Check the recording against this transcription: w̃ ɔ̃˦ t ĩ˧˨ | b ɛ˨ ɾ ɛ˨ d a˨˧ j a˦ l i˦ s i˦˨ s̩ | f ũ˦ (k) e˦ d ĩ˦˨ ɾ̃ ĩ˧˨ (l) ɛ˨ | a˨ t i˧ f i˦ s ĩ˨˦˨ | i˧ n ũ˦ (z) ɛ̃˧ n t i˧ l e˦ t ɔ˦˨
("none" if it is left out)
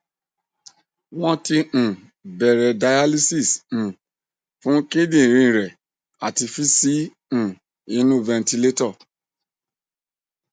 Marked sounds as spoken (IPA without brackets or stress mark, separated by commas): k, ɾ, v